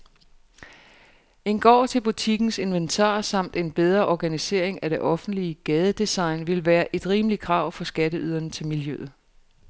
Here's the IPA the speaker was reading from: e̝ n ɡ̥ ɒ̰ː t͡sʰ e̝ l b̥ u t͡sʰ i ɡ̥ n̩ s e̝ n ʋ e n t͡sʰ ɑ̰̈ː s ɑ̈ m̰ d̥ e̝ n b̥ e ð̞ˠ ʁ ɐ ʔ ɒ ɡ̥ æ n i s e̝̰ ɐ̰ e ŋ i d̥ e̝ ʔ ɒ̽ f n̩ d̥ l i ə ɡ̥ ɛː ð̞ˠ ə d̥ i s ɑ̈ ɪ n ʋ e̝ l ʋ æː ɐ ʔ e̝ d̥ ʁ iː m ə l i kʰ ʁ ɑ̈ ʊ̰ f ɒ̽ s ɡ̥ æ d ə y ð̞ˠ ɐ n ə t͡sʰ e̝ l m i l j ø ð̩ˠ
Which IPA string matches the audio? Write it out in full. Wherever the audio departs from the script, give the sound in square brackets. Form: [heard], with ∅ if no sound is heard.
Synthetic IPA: e̝ n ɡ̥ ɒ̰ː t͡sʰ e̝ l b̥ u t͡sʰ i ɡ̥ n̩ s e̝ n ʋ e n t͡sʰ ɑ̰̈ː s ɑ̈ m̰ d̥ e̝ n b̥ e ð̞ˠ ʁ ɐ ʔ ɒ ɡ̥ æ n i s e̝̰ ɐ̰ e ŋ [æ] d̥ e̝ ʔ ɒ̽ f n̩ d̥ l i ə ɡ̥ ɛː ð̞ˠ ə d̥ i s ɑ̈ ɪ n ʋ e̝ l ʋ æː ɐ ʔ e̝ d̥ ʁ iː m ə l i kʰ ʁ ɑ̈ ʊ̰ f ɒ̽ s ɡ̥ æ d ə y ð̞ˠ ɐ n ə t͡sʰ e̝ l m i l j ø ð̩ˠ